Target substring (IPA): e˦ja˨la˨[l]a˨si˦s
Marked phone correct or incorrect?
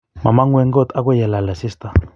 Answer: correct